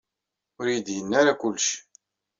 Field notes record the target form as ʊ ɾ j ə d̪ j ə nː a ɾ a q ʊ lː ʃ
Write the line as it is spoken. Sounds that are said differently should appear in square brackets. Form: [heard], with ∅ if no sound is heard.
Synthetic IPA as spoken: ʊ ɾ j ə d̪ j ə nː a ɾ a [k] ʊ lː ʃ